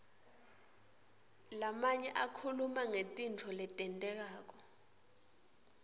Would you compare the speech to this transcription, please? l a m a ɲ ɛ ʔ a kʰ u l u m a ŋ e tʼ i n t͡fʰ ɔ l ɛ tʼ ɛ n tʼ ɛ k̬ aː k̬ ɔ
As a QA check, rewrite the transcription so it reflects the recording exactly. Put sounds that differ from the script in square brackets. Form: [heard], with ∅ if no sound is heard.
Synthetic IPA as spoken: l a m a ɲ ɛ ʔ a kʰ u l u m a ŋ e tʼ i n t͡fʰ ɔ l ɛ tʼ ɛ n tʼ ɛ k̬ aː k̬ ɔ